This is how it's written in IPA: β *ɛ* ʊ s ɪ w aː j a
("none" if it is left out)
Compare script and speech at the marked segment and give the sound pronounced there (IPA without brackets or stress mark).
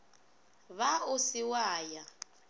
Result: a